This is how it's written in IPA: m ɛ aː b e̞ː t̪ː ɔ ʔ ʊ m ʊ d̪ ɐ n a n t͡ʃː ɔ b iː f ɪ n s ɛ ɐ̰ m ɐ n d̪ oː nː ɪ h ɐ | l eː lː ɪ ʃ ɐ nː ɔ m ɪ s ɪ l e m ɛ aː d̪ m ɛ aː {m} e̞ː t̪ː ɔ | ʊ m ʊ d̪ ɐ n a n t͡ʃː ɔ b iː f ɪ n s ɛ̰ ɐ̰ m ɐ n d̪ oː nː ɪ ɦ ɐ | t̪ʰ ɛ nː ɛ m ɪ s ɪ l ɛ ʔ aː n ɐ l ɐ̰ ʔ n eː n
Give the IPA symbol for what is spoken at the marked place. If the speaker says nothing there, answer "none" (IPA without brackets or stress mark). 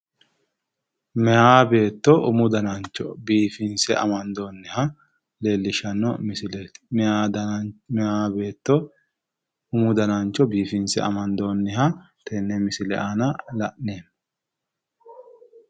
b